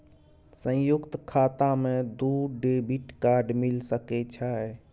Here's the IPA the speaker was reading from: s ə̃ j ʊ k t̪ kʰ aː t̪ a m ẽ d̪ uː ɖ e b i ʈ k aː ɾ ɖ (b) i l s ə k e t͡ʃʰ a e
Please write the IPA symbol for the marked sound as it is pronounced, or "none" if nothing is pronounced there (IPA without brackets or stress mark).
m